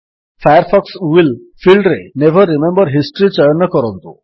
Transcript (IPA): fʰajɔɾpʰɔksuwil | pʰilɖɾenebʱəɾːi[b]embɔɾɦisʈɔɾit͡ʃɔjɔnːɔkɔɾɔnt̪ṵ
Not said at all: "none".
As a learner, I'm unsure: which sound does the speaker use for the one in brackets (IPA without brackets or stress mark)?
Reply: m